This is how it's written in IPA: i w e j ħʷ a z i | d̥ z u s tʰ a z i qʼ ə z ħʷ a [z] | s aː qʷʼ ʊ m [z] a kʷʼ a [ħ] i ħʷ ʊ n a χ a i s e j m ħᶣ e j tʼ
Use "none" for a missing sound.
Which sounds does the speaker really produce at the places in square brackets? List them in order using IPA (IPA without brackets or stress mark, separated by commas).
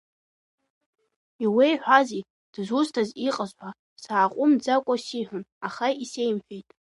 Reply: none, d͡z, s